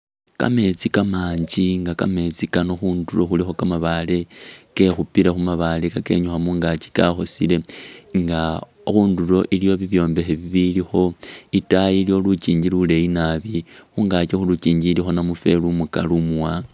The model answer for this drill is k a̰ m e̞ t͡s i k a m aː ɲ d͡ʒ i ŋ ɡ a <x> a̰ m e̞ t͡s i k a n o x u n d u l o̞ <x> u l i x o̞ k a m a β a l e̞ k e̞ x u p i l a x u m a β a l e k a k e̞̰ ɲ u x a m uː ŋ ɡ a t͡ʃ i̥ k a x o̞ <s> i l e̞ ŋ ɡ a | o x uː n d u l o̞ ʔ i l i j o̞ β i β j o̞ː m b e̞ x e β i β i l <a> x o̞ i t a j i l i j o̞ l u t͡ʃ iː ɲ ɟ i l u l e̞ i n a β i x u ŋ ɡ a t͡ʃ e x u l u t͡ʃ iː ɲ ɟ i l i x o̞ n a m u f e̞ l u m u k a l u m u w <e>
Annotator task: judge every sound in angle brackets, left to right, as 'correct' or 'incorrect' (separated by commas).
incorrect, correct, correct, incorrect, incorrect